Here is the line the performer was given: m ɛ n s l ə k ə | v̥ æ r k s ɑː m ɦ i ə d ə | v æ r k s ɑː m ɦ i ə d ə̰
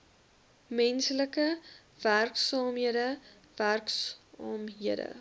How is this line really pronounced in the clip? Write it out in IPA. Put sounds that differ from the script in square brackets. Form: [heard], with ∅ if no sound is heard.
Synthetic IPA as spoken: m ɛ n s l ə k ə | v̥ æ r k s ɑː m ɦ i ə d ə | v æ r k s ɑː m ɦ i ə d ə̰